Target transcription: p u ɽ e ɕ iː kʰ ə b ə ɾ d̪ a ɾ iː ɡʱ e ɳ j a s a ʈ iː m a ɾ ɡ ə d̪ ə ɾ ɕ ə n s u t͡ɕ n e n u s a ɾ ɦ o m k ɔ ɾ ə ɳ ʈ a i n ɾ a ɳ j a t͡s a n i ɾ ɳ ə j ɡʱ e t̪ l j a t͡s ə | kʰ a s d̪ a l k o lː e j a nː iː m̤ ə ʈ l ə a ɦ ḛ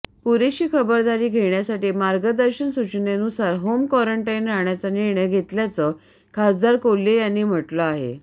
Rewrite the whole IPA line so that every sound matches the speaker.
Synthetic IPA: p u ɾ e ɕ iː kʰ ə b ə ɾ d̪ a ɾ iː ɡʱ e ɳ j a s a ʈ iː m a ɾ ɡ ə d̪ ə ɾ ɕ ə n s u t͡ɕ n e n u s a ɾ ɦ o m k ɔ ɾ ə ɳ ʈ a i n ɾ a ɳ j a t͡s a n i ɾ ɳ ə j ɡʱ e t̪ l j a t͡s ə | kʰ a s d̪ a ɾ k o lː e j a nː iː m̤ ə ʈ l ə a ɦ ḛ

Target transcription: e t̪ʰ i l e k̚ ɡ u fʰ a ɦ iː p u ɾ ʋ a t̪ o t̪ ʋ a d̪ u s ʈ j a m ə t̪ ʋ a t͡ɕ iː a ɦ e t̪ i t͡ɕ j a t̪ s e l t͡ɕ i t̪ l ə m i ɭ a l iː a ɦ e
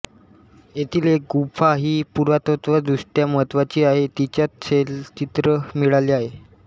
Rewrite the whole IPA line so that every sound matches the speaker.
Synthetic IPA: e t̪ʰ i l e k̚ ɡ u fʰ a ɦ iː p u ɾ ʋ a t̪ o t̪ ʋ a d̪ u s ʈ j a m ə t̪ ʋ a t͡ɕ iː a ɦ e t̪ i t͡ɕ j a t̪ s e l t͡ɕ i t̪ ɾ ə m i ɭ a l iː a ɦ e

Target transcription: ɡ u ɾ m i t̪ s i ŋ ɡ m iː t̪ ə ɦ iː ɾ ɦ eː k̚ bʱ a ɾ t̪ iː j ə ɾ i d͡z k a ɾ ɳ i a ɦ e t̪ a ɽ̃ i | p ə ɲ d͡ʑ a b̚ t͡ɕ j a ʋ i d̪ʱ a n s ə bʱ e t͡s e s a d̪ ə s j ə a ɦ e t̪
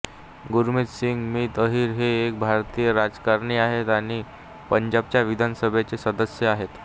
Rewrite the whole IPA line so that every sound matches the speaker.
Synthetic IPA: ɡ u ɾ m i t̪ s i ŋ ɡ m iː t̪ ə ɦ iː ɾ ɦ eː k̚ bʱ a ɾ t̪ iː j ə ɾ a d͡z k a ɾ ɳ i a ɦ e t̪ a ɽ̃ i | p ə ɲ d͡ʑ a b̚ t͡ɕ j a ʋ i d̪ʱ a n s ə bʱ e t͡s e s ə d̪ ə s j ə a ɦ e t̪

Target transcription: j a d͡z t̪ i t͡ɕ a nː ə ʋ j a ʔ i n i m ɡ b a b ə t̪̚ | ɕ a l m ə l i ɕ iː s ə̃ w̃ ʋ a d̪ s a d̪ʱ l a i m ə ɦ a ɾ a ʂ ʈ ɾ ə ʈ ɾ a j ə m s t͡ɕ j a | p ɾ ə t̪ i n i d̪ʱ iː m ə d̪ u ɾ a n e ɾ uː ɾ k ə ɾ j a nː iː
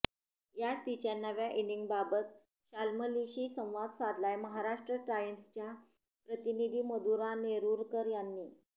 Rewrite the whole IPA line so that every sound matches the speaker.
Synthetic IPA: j a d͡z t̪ i t͡ɕ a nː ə ʋ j a ʔ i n i ŋ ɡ b a b ə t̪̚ | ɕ a l m ə l i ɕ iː s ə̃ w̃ ʋ a d̪ s a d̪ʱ l a j m ə ɦ a ɾ a ʂ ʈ ɾ ə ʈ ɾ a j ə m s t͡ɕ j a | p ɾ ə t̪ i n i d̪ʱ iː m ə d̪ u ɾ a n e ɾ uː ɾ k ə ɾ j a nː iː

